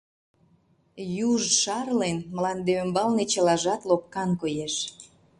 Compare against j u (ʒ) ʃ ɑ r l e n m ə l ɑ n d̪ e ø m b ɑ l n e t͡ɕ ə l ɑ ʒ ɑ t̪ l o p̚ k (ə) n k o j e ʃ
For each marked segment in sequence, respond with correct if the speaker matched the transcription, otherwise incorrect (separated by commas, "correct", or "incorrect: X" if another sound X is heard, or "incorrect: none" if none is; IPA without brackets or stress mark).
correct, incorrect: ɑ